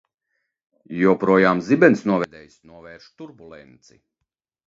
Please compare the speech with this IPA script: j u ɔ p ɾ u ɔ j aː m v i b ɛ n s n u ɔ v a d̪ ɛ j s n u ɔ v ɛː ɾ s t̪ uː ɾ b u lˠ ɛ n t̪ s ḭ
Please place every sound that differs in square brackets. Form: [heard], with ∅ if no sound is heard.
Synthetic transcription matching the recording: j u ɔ p ɾ u ɔ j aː m [z] i b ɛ n s n u ɔ v [ɛ] d̪ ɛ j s n u ɔ v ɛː ɾ [ʃ] t̪ [u] ɾ b u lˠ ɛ n t̪ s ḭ